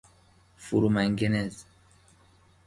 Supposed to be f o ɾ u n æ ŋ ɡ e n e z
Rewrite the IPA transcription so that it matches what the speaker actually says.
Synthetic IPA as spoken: f u ɾ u m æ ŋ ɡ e n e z